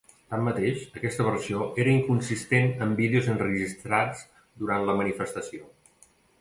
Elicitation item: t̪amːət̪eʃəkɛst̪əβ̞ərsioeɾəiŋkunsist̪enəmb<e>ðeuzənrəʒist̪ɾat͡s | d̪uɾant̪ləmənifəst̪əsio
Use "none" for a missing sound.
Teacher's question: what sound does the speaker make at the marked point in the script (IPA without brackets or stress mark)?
i